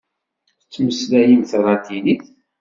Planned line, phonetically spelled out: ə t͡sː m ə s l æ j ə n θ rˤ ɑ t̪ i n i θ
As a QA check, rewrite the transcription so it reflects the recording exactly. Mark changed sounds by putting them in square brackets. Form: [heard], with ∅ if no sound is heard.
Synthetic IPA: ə t͡sː m ə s l æ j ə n θ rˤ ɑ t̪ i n i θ

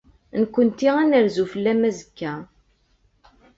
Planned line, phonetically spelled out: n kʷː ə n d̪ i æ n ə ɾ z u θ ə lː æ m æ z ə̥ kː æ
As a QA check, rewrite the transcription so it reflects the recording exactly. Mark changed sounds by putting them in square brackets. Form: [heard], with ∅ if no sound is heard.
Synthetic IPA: n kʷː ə n [t̪] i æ n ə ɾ z u [f] ə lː æ m æ z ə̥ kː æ

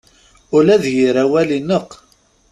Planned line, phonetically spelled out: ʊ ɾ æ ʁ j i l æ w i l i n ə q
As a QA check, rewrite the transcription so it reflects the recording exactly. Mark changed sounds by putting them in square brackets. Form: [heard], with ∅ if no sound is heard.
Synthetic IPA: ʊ [l] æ [ð] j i [ɾ] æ w [æ] l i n ə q

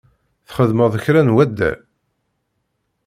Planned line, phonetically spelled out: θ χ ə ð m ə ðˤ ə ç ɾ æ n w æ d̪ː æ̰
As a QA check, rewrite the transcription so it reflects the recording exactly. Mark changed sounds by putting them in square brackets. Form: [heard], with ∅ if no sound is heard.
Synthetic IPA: θ χ ə ð m ə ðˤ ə ç ɾ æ n w æ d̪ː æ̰

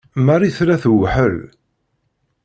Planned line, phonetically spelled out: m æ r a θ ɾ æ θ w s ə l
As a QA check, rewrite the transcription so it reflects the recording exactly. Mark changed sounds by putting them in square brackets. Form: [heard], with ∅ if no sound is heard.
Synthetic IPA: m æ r [i] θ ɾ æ θ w [ħ] ə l

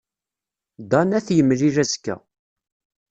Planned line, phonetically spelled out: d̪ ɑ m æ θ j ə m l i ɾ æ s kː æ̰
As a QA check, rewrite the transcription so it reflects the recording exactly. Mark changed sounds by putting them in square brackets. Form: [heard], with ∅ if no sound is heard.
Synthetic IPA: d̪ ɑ [n] æ θ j ə m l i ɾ æ [z] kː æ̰

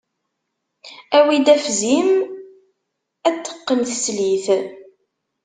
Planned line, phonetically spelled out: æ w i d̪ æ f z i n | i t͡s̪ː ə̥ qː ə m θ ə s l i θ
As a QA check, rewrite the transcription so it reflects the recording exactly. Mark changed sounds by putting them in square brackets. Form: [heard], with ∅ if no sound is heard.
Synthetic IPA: æ w i d̪ æ f z i [m] | [æ] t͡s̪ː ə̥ qː ə m θ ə s l i θ

